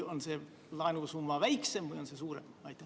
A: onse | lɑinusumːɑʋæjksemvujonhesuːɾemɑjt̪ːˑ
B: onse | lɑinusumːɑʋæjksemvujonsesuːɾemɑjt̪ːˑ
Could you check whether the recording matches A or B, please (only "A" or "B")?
B